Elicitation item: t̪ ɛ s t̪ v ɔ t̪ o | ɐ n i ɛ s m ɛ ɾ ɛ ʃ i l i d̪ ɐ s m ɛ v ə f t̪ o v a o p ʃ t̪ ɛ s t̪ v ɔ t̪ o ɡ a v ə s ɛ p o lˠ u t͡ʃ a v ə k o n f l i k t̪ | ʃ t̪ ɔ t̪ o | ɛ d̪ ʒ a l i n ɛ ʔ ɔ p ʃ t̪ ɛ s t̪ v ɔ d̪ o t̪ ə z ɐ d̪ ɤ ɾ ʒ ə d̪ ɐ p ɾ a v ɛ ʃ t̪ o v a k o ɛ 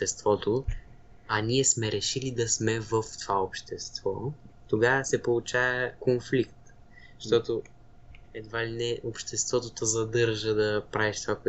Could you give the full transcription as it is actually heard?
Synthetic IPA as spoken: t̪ ɛ s t̪ v ɔ t̪ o | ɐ n i ɛ s m ɛ ɾ ɛ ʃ i l i d̪ ɐ s m ɛ v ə f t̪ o v a o p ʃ t̪ ɛ s t̪ v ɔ t̪ o ɡ a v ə s ɛ p o lˠ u t͡ʃ a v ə k o n f l i k t̪ | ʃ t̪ ɔ t̪ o | ɛ d̪ v a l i n ɛ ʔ o p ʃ t̪ ɛ s t̪ v ɔ t̪ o t̪ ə z ɐ d̪ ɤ ɾ ʒ ə d̪ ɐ p ɾ a v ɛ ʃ t̪ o v a k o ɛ